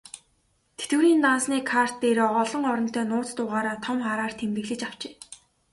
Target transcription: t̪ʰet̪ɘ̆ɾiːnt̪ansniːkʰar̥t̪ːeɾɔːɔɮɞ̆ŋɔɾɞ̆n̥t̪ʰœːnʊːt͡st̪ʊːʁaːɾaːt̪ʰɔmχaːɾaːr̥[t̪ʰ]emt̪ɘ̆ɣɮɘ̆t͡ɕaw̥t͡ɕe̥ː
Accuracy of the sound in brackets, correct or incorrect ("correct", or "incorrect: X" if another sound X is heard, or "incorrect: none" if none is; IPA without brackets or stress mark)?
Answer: correct